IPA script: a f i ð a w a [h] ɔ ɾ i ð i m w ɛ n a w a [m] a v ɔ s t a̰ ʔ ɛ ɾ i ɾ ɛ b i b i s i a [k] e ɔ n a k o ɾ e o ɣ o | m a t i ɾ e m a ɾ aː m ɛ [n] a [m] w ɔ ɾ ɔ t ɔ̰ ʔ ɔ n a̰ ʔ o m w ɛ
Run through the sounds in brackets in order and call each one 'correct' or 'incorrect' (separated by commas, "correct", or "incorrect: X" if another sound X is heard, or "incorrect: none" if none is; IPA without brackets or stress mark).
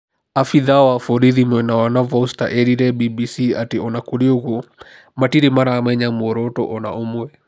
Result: incorrect: f, incorrect: n, incorrect: t, incorrect: ɲ, correct